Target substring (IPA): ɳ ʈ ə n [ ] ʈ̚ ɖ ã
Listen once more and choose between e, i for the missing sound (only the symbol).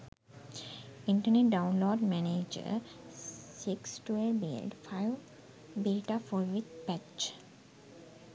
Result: e